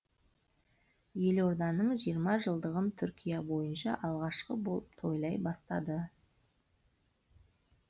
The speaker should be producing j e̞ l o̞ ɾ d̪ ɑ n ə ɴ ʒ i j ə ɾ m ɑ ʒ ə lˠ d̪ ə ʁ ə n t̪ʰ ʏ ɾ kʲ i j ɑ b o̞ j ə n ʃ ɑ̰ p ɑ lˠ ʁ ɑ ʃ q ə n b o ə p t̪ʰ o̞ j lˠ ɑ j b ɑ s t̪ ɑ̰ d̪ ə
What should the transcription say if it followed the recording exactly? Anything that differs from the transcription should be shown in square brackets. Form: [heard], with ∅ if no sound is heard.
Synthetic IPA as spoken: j e̞ l o̞ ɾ d̪ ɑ n ə ɴ ʒ i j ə ɾ m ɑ ʒ ə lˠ d̪ ə ʁ ə n t̪ʰ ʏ ɾ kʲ i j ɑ b o̞ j ə n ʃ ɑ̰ [ʔ] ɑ lˠ ʁ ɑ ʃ q ə [∅] b o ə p t̪ʰ o̞ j lˠ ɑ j b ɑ s t̪ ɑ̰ d̪ ə